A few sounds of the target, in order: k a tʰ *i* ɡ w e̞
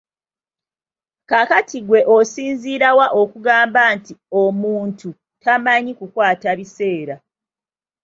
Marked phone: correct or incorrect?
correct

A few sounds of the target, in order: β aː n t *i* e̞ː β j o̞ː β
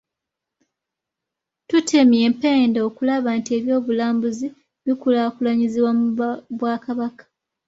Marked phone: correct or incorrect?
correct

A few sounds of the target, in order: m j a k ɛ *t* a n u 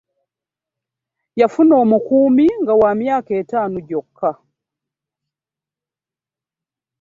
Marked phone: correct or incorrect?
correct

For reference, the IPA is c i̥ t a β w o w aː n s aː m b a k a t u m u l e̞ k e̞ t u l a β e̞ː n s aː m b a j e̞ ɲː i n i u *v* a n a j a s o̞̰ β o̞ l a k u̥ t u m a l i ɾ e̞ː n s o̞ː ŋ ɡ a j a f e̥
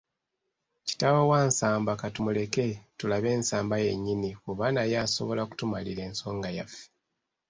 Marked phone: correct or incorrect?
incorrect: β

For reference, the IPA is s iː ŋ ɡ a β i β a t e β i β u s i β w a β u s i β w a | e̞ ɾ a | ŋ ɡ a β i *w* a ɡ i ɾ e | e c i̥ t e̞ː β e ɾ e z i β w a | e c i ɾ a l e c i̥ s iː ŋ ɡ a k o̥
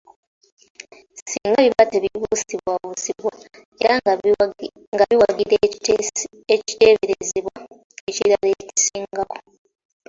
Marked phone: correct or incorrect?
correct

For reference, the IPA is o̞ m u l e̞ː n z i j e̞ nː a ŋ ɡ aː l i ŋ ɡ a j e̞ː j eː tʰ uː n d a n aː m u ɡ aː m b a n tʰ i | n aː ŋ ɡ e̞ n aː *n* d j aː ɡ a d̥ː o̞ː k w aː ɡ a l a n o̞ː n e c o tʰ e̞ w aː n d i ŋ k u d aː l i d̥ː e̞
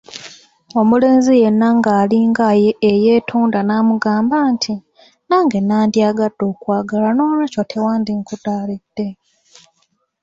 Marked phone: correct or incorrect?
correct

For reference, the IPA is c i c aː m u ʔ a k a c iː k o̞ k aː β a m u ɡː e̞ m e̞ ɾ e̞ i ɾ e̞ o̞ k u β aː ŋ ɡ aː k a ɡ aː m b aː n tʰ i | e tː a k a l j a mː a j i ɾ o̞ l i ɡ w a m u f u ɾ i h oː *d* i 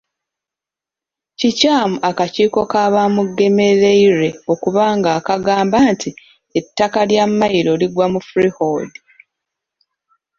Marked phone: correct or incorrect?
correct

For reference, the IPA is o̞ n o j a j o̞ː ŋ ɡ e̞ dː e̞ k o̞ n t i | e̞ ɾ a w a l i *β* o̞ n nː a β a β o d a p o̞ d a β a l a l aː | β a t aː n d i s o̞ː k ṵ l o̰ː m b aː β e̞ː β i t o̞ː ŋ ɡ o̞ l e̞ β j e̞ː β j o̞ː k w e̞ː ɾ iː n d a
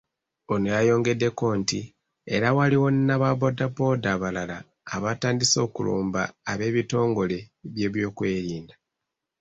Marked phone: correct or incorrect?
incorrect: w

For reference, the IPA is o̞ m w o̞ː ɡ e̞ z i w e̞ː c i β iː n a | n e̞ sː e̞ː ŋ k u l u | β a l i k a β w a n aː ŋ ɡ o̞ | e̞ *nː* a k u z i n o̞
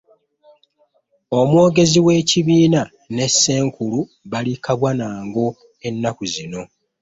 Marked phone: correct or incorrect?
correct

